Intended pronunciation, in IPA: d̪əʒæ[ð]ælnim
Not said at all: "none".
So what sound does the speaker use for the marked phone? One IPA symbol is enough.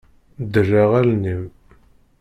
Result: ʁ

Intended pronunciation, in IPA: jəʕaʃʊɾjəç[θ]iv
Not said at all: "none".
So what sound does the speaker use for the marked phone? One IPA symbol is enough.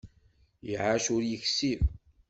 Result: s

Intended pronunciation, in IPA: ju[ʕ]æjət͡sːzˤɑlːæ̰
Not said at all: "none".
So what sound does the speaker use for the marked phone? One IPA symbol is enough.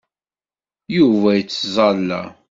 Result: v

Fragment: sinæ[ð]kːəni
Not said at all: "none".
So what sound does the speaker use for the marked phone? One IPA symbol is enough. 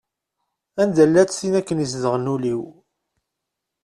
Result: none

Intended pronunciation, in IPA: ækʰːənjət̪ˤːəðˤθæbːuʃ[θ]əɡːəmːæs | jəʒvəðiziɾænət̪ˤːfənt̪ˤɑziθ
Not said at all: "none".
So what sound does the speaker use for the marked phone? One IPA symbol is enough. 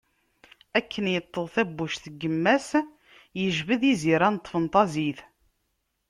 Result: θ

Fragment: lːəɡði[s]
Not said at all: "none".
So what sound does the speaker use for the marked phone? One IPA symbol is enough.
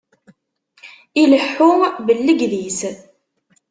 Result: s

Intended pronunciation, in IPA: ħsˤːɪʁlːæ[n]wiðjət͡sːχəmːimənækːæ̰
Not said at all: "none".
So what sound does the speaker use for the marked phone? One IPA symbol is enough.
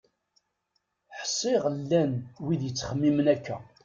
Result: n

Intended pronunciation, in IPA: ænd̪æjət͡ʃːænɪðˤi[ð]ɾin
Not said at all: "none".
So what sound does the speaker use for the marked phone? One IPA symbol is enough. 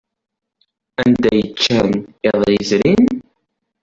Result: z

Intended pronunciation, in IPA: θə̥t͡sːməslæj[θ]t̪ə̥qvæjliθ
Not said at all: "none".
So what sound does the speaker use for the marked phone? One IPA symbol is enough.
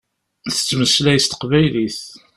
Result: s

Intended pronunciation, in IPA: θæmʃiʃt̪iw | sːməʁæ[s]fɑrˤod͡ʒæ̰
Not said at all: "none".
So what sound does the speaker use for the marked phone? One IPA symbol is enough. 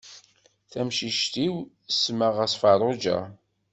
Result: s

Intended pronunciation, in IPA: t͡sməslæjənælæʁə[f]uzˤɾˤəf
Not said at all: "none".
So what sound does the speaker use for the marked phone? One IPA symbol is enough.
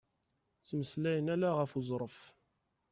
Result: f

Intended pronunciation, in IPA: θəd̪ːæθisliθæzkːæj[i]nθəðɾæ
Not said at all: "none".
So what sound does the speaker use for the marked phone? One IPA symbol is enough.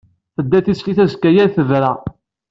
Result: æ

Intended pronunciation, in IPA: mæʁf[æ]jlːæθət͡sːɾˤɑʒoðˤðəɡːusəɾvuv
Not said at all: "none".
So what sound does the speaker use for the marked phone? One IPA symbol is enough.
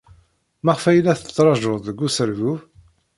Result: æ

